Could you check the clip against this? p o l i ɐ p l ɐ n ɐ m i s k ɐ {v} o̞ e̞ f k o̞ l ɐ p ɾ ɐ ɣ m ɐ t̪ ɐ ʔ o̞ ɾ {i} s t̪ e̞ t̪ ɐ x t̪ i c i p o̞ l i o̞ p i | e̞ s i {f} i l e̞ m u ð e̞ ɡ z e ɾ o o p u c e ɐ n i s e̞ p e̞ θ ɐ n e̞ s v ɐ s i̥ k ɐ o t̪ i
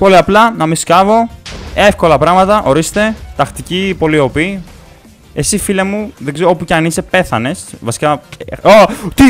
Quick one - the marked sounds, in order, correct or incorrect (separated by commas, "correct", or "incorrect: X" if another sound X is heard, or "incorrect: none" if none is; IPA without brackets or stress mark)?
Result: correct, correct, correct